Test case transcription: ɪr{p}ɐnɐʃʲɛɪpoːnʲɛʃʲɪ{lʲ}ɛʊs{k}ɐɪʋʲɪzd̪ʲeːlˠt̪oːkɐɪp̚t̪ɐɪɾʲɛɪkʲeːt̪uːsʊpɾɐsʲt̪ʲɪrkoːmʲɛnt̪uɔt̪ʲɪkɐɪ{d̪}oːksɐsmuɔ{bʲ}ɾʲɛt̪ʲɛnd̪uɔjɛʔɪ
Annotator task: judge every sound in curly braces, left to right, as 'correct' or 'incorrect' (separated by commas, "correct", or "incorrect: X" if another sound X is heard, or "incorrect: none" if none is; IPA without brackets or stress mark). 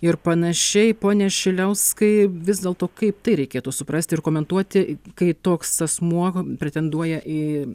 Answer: correct, correct, correct, incorrect: t̪, incorrect: pʲ